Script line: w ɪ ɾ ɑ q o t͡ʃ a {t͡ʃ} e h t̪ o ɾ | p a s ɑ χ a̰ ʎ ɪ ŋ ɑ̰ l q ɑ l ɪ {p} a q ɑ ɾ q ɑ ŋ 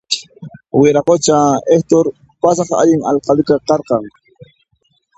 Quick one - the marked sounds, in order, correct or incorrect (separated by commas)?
incorrect, incorrect